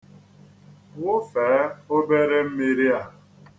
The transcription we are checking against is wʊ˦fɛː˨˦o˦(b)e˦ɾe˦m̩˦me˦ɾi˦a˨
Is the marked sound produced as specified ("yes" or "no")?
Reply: yes